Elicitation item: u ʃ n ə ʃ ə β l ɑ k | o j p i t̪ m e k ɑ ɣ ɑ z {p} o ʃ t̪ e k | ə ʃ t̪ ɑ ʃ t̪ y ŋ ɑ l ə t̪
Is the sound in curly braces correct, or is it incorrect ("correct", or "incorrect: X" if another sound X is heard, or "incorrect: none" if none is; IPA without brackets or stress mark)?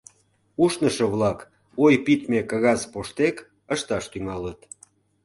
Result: correct